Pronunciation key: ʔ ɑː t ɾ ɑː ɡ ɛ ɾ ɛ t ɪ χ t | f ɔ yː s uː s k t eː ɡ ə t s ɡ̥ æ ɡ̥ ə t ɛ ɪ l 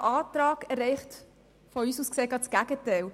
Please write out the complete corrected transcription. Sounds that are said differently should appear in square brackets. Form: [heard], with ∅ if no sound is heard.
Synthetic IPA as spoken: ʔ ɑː t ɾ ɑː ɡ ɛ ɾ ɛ [∅] ɪ χ t | f ɔ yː s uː s k [s] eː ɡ [ɑ] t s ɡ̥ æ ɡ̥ ə t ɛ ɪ l